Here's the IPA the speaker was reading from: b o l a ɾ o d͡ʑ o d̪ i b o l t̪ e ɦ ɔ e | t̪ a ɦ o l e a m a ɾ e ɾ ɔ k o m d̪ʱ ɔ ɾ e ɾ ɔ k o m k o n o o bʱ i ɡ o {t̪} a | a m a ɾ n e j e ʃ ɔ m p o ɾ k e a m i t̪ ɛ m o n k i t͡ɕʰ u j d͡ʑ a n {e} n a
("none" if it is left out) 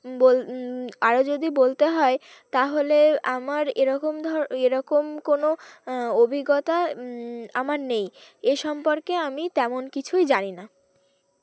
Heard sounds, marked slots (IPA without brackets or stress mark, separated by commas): t̪, i